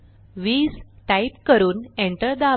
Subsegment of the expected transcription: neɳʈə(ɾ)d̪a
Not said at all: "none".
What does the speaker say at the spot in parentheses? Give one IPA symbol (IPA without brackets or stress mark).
ɾ